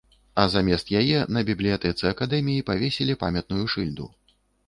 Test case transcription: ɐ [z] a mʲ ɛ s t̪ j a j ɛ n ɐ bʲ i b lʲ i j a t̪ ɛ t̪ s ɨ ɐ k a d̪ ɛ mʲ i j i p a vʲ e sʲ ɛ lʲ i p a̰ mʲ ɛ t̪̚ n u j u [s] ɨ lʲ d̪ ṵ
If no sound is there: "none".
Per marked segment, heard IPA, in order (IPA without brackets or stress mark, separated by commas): z, ʂ